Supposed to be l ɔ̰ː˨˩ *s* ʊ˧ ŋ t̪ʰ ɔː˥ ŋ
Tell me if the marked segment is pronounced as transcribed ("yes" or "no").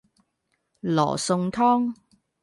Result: yes